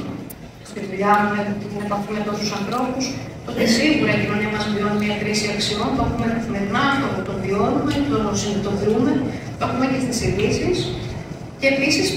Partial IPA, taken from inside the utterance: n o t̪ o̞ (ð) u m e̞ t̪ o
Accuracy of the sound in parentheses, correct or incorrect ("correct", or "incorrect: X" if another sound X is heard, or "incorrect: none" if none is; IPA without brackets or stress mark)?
correct